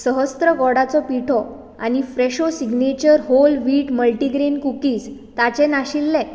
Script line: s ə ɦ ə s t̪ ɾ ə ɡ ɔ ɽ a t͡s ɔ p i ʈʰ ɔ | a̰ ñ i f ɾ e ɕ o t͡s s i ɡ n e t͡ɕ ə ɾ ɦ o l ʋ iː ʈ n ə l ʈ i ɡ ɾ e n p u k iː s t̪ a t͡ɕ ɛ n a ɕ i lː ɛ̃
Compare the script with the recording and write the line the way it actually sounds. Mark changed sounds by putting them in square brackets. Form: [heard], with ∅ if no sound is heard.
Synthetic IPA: s ə ɦ ə s t̪ ɾ ə ɡ ɔ ɽ a t͡s ɔ p i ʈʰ ɔ | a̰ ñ i f ɾ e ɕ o [∅] s i ɡ n e t͡ɕ ə ɾ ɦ o l ʋ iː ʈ [m] ə l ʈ i ɡ ɾ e n [k] u k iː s t̪ a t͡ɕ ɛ n a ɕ i lː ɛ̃